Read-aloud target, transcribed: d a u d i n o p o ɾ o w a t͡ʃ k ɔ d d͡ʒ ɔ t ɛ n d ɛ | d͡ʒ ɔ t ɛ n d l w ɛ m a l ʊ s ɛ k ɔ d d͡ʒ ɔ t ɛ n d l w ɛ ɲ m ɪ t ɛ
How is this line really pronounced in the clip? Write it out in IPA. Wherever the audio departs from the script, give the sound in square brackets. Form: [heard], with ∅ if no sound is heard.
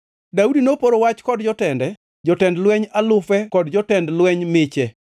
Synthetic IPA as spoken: d a u d i n o p o ɾ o w a t͡ʃ k ɔ d d͡ʒ ɔ t ɛ n d ɛ | d͡ʒ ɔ t ɛ n d l w ɛ [ɲ] a l ʊ [f] ɛ k ɔ d d͡ʒ ɔ t ɛ n d l w ɛ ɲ m ɪ [t͡ʃ] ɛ